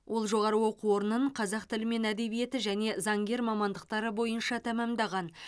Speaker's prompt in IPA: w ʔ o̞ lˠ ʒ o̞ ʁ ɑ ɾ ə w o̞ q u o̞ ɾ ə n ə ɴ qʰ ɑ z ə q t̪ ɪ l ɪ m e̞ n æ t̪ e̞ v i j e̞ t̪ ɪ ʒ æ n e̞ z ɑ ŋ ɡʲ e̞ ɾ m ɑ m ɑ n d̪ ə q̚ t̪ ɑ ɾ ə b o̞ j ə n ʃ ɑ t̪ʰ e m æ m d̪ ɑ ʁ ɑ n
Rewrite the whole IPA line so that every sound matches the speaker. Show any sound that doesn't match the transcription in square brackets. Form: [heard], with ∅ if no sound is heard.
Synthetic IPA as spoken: w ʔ o̞ lˠ ʒ o̞ ʁ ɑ ɾ ə w o̞ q u o̞ ɾ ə n ə ɴ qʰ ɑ z [ɑ] q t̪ ɪ l ɪ m e̞ n æ [d̪] e̞ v i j e̞ t̪ ɪ ʒ æ n e̞ z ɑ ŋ ɡʲ e̞ ɾ m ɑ m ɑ n d̪ ə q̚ t̪ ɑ ɾ ə b o̞ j ə n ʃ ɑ t̪ʰ [æ] m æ m d̪ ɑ ʁ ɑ n